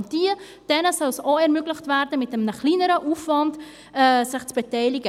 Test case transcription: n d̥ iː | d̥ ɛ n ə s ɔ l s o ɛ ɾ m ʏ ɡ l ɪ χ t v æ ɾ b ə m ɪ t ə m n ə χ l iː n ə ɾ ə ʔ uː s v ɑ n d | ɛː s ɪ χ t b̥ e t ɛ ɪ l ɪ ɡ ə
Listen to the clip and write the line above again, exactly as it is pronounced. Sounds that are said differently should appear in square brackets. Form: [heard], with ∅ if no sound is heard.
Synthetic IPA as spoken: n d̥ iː | d̥ ɛ n ə s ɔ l s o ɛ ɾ m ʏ ɡ l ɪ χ t v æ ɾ [d] ə m ɪ t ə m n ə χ l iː n ə ɾ ə ʔ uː [f] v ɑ n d | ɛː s ɪ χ [t͡s] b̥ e t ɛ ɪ l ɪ ɡ ə